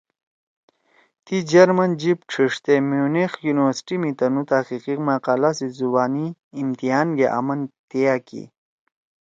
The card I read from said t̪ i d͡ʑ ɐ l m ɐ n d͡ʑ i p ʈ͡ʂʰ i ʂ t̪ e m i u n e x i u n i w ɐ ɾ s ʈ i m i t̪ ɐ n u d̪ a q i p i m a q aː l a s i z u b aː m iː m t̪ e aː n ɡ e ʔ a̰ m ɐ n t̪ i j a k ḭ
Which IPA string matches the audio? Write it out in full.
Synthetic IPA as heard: t̪ i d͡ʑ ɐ ɾ m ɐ n d͡ʑ i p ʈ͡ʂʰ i ʂ t̪ e m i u n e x j u n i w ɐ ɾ s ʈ i m i t̪ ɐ n u t̪ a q i q i m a q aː l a s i z u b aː n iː m t̪ i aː n ɡ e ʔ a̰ m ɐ n t̪ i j a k ḭ